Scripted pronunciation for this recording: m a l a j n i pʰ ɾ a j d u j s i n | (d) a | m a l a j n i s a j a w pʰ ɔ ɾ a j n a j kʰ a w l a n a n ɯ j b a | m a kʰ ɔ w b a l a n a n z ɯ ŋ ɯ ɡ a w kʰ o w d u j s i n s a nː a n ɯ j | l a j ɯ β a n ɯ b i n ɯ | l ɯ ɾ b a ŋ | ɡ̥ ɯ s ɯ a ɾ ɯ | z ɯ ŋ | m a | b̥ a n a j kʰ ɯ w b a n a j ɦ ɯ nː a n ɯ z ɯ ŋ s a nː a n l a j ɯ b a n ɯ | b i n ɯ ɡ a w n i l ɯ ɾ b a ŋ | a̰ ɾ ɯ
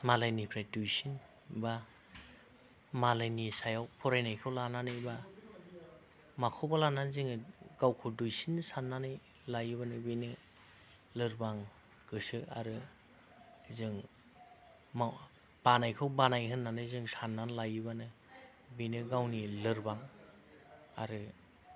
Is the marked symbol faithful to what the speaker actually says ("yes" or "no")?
no